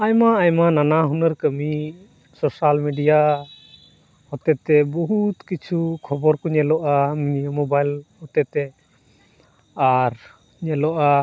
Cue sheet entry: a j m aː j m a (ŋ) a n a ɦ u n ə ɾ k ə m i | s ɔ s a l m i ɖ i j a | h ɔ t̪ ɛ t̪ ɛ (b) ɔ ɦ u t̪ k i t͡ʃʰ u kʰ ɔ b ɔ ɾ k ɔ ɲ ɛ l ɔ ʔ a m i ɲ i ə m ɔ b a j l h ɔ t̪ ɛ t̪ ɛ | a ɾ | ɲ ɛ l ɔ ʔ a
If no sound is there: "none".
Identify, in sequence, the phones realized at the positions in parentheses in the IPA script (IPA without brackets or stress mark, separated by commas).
n, b